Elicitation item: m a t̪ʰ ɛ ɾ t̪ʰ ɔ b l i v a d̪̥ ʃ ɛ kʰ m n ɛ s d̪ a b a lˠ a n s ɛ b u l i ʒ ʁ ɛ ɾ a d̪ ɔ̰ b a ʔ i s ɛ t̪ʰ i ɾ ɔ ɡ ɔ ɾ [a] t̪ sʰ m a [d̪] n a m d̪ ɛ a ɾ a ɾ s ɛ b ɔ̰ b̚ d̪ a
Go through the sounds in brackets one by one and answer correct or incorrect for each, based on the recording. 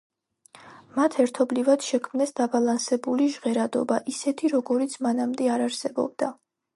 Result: incorrect: i, incorrect: none

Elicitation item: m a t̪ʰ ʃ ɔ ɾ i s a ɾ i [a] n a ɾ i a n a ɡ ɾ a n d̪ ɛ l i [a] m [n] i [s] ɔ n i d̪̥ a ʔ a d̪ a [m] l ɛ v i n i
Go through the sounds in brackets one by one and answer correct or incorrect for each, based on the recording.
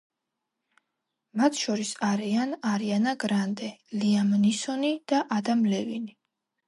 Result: correct, correct, correct, correct, correct

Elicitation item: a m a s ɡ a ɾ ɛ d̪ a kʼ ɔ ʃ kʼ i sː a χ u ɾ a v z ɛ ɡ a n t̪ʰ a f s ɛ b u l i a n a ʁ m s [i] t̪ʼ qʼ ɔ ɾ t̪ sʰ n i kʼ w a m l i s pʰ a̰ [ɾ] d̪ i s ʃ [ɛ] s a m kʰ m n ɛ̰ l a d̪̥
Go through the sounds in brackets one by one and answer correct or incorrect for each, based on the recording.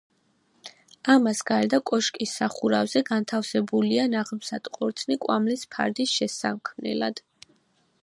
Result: incorrect: a, correct, correct

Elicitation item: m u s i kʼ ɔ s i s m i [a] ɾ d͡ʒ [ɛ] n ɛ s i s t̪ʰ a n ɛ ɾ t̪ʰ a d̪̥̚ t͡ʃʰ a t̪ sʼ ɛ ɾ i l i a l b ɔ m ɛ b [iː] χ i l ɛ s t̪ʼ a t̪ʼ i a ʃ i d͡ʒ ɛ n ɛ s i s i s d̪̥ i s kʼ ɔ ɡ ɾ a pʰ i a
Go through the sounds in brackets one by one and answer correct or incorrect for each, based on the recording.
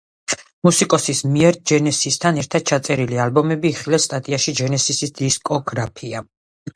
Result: incorrect: ɛ, correct, correct

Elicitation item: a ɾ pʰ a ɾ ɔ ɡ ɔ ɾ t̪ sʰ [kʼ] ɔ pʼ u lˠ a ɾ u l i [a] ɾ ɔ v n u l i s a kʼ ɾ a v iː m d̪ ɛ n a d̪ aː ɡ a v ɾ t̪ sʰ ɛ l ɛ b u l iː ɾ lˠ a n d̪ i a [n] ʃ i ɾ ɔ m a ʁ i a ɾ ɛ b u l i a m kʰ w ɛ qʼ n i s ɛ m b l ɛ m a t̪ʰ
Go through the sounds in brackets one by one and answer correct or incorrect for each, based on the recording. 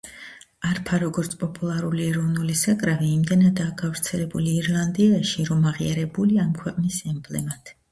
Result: incorrect: pʼ, incorrect: ɛ, incorrect: none

